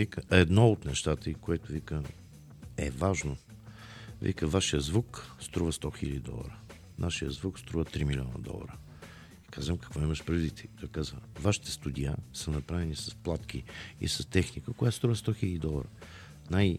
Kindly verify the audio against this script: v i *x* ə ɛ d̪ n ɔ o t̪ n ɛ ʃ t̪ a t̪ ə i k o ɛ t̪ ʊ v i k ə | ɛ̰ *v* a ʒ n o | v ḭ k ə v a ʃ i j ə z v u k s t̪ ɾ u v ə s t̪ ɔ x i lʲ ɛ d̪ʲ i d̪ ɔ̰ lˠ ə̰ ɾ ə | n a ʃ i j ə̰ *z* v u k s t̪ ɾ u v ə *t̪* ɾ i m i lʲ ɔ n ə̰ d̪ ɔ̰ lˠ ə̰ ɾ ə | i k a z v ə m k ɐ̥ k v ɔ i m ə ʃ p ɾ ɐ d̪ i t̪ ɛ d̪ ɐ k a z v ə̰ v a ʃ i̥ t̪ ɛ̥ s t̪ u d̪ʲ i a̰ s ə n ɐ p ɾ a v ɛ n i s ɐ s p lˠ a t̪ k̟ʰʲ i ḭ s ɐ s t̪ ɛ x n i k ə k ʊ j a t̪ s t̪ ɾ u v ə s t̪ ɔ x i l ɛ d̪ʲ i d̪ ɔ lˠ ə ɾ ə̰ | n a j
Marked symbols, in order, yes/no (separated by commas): no, yes, yes, yes